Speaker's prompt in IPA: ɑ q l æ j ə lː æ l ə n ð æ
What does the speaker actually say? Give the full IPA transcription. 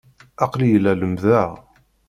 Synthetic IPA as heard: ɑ q l i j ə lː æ l ə m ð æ